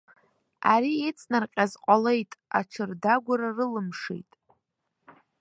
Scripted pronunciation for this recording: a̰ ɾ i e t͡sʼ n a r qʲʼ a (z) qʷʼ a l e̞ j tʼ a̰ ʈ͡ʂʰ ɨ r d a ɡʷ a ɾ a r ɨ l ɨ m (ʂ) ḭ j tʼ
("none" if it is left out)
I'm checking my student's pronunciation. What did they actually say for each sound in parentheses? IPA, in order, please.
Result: z, ʂ

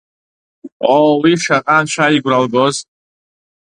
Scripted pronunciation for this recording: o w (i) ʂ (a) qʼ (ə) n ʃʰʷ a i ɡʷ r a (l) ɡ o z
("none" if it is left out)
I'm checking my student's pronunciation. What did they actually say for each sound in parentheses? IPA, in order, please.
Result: i, a, a, l

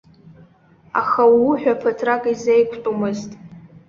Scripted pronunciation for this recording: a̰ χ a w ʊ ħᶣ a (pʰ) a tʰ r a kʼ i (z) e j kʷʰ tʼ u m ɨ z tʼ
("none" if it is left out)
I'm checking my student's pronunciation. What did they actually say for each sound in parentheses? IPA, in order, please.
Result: pʰ, z

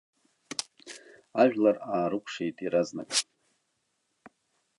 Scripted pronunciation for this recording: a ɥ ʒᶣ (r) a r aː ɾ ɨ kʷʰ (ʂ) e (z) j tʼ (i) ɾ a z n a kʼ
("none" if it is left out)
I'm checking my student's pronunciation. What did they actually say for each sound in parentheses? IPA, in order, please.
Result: l, ʂ, none, i

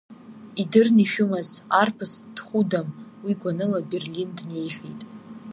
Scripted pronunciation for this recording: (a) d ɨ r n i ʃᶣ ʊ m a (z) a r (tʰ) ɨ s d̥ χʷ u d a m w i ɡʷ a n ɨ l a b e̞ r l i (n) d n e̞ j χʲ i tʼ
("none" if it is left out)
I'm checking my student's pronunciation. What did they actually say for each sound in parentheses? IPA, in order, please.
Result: i, z, pʰ, n

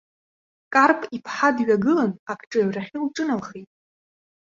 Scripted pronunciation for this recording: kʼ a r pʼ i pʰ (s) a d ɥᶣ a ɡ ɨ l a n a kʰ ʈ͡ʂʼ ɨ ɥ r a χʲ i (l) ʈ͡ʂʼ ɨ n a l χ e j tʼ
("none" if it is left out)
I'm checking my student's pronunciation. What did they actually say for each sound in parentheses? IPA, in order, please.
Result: ħ, l

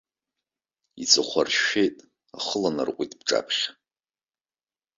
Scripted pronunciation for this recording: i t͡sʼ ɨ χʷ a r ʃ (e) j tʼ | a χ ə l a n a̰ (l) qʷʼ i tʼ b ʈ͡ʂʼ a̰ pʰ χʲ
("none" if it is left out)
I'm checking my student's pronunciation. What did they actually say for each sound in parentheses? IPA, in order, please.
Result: e, r

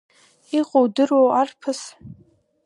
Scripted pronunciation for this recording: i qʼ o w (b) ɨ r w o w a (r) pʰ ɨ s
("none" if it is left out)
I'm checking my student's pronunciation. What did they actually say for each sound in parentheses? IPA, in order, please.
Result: d, r

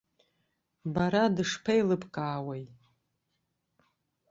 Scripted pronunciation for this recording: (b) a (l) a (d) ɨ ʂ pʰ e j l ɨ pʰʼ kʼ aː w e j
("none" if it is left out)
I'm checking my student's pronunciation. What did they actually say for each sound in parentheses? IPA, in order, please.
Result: b, ɾ, d

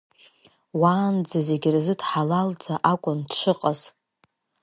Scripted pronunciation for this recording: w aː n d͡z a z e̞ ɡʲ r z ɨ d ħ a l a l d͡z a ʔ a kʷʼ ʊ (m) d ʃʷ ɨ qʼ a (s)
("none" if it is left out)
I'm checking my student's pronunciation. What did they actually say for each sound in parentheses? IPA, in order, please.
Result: n, z

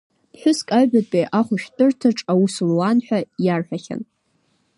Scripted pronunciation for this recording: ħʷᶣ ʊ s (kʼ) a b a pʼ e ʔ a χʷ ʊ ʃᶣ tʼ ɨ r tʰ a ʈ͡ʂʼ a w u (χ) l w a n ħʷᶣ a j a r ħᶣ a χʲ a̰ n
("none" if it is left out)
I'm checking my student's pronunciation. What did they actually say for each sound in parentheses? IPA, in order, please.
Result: kʼ, s

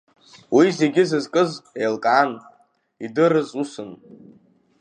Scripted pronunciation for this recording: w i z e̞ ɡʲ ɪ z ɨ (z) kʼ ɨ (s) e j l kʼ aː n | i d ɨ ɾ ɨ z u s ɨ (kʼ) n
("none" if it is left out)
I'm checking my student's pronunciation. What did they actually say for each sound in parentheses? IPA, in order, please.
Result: z, z, none

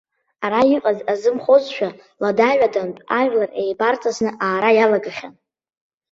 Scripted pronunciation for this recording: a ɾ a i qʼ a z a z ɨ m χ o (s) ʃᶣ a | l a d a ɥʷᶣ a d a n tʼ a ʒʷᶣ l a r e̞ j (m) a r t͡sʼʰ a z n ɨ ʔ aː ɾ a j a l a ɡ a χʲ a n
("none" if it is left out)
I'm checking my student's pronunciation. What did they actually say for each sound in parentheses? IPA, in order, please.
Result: z, b

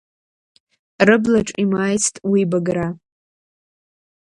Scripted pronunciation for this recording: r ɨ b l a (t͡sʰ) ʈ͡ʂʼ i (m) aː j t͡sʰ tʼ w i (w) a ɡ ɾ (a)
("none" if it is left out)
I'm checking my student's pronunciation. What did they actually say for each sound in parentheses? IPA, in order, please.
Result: none, m, b, a

